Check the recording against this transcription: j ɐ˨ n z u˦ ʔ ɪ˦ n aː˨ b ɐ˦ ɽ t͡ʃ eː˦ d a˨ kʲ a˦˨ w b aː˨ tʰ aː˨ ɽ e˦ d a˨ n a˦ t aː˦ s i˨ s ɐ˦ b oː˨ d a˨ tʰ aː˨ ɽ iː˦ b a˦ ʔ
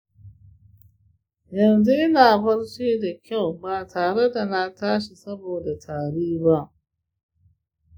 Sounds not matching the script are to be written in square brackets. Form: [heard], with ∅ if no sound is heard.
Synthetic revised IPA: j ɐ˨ n z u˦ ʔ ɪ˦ n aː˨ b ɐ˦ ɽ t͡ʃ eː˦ d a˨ kʲ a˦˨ w b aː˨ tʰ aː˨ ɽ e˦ d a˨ n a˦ t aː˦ [ʃ] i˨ s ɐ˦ b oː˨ d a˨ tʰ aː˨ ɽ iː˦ b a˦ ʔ

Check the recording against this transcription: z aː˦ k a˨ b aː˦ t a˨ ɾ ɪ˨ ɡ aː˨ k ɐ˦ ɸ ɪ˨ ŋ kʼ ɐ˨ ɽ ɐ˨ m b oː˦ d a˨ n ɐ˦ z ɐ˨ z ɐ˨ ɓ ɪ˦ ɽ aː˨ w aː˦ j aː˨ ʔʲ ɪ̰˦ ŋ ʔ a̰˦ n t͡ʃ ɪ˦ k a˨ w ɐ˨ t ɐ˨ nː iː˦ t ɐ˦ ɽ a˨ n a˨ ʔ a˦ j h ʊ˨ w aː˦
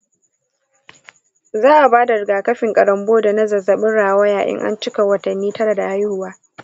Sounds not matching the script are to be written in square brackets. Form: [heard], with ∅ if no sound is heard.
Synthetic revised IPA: z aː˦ [ʔ] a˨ b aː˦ [d] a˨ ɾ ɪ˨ ɡ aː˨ k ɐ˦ ɸ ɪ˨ ŋ kʼ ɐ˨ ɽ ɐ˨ m b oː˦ d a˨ n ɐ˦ z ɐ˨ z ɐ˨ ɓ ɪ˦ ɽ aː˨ w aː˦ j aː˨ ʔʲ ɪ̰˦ ŋ ʔ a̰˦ n t͡ʃ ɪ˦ k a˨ w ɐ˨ t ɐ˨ nː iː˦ t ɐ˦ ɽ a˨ [d] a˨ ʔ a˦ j h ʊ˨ w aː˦

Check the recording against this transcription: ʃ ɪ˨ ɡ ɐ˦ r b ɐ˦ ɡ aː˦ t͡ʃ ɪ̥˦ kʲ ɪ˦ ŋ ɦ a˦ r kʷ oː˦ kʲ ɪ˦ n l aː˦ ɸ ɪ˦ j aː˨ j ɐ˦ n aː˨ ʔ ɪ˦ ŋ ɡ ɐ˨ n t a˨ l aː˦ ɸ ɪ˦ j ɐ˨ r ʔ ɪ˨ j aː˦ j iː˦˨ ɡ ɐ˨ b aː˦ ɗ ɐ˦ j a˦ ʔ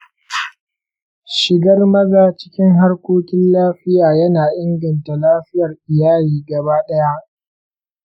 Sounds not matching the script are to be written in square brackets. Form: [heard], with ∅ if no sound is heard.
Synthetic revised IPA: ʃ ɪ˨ ɡ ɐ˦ r [m] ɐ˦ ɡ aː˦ t͡ʃ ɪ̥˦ kʲ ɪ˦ ŋ ɦ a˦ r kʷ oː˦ kʲ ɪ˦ n l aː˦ ɸ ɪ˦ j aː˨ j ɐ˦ n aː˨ ʔ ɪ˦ ŋ ɡ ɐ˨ n t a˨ l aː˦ ɸ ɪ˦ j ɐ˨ r ʔ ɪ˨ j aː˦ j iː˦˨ ɡ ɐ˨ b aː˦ ɗ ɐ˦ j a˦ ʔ

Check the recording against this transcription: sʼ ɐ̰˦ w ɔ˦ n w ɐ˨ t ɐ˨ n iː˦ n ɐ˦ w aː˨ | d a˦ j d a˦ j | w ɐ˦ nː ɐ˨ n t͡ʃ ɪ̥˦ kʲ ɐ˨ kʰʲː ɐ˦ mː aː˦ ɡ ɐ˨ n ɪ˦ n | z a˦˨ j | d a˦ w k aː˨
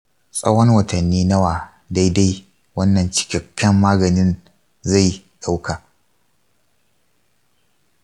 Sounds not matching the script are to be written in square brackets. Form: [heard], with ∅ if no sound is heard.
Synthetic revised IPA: sʼ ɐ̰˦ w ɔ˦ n w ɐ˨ t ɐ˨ [nː] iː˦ n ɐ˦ w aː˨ | d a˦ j d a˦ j | w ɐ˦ nː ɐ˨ n t͡ʃ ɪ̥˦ kʲ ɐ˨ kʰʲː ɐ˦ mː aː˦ ɡ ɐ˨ n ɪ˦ n | z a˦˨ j | [ɗ] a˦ w k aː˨

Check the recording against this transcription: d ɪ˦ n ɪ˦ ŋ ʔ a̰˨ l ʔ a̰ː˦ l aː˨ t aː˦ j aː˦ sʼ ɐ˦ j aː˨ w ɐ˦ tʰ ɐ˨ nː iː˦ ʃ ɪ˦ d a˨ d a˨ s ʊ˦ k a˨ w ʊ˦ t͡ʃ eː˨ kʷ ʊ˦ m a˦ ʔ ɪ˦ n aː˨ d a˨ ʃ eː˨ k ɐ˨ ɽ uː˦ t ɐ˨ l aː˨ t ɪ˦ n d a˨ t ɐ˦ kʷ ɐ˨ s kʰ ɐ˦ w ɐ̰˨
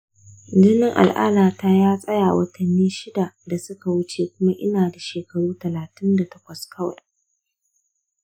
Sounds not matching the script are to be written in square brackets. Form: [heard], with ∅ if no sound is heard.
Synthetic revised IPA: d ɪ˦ n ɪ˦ ŋ ʔ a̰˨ l ʔ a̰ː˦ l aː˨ t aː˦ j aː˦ sʼ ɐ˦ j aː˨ w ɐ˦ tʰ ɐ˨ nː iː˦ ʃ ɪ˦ d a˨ d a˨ s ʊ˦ k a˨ w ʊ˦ t͡ʃ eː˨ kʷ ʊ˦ m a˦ ʔ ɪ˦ n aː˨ d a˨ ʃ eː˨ k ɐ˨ ɽ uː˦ t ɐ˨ l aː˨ t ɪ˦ n d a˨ t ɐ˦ kʷ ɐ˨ s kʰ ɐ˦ w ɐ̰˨

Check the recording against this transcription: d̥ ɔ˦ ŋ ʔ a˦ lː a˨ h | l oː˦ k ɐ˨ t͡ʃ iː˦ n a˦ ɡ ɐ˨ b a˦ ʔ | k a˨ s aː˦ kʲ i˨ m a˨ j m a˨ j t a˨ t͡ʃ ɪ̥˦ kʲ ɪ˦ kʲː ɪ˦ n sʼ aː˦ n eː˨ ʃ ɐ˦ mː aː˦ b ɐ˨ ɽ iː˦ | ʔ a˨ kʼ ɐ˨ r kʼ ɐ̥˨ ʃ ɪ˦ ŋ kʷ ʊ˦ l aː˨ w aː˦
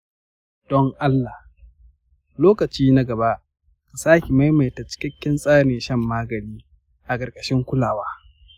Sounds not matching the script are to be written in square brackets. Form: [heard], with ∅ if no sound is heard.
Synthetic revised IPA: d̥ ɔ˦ ŋ ʔ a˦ lː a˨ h | l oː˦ k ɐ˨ t͡ʃ iː˦ n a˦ ɡ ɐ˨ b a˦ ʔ | k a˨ s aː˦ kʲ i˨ m [a˦] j m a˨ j t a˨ t͡ʃ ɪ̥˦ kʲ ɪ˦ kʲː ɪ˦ n sʼ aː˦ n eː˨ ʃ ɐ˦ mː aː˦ [ɡ] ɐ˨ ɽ iː˦ | ʔ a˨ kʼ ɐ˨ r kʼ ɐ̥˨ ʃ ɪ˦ ŋ kʷ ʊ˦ l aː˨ w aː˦

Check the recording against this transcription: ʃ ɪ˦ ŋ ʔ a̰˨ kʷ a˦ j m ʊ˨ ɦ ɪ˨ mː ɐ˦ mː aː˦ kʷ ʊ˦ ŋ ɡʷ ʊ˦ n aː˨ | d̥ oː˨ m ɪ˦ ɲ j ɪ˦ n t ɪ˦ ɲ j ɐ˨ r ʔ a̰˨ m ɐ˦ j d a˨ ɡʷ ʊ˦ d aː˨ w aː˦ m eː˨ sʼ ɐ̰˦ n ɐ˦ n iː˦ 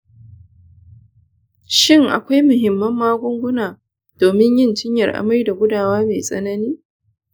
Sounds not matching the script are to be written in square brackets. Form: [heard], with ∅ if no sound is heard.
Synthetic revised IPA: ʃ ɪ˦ ŋ ʔ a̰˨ kʷ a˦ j m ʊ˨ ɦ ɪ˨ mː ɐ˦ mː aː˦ [ɡʷ] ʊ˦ ŋ ɡʷ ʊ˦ n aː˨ | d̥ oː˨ m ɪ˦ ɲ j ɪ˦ n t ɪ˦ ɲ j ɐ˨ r ʔ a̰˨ m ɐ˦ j d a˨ ɡʷ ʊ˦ d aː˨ w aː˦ m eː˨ sʼ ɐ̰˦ n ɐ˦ n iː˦

